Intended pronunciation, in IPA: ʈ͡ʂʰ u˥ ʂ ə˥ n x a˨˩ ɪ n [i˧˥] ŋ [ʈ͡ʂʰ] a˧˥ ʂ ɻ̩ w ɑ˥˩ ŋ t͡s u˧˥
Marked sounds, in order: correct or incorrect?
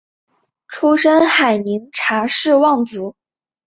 correct, correct

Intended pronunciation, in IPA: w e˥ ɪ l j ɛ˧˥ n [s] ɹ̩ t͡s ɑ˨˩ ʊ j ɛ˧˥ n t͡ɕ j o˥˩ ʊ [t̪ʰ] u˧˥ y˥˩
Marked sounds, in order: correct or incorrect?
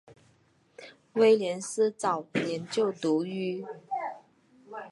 correct, incorrect

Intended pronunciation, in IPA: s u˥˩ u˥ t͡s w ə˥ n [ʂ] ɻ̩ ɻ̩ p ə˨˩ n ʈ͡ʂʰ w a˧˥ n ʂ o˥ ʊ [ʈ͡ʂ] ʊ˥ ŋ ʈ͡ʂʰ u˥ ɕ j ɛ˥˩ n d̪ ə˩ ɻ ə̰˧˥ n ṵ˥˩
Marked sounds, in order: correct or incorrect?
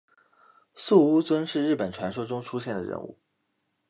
correct, correct

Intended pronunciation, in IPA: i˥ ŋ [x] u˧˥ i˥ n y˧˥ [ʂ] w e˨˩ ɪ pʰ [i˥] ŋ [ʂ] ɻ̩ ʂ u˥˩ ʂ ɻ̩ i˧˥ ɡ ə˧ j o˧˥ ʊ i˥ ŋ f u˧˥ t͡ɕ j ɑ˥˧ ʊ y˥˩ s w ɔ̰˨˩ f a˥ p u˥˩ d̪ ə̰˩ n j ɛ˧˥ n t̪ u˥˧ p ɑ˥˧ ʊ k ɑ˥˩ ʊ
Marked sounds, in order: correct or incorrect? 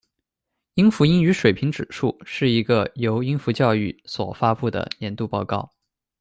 incorrect, correct, incorrect, incorrect

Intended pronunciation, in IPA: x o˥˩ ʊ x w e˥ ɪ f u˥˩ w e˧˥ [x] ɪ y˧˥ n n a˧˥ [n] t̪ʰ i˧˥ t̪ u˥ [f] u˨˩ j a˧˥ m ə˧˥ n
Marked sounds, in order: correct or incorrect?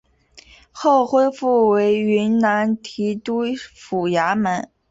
incorrect, correct, correct

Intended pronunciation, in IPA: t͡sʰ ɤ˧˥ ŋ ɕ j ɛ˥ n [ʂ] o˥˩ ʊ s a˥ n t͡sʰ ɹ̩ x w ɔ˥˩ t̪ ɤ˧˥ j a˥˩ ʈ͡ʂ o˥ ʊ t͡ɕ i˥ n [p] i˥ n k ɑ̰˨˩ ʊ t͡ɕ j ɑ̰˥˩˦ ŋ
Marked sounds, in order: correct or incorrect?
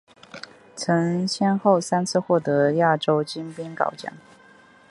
incorrect, correct

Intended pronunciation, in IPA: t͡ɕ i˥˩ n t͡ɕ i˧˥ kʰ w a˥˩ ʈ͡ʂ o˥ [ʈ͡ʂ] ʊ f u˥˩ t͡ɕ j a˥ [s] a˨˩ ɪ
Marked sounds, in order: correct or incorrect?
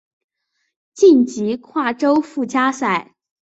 incorrect, correct

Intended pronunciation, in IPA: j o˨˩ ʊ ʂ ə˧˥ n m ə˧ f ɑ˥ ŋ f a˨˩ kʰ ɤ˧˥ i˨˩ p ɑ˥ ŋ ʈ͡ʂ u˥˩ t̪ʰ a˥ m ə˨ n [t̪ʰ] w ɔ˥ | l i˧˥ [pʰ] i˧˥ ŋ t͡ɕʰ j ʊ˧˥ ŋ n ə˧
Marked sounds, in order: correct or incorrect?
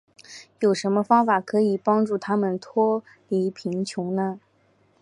correct, correct

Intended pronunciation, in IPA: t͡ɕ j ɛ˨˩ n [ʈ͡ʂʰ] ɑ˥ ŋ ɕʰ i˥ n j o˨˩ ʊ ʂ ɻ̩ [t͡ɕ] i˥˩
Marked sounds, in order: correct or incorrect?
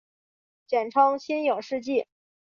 correct, correct

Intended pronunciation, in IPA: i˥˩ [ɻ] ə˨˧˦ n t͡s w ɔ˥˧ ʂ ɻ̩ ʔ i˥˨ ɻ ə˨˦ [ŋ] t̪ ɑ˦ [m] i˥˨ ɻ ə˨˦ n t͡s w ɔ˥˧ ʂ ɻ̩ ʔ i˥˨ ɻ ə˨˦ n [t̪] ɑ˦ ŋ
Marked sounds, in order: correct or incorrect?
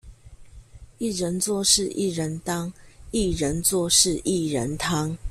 correct, incorrect, incorrect, incorrect

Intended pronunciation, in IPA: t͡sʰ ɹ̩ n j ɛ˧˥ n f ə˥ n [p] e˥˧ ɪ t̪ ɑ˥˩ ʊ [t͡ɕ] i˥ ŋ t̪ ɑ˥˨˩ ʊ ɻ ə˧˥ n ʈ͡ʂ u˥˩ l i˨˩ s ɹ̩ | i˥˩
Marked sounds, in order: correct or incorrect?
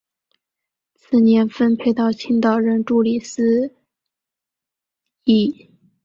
incorrect, incorrect

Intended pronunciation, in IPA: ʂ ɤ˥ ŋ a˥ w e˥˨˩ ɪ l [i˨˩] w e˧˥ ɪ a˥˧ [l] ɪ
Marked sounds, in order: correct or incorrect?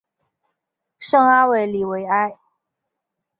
correct, incorrect

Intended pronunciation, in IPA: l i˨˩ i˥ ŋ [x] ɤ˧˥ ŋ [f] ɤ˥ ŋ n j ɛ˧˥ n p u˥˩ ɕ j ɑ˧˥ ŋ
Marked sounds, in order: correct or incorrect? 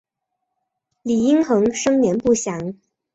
correct, incorrect

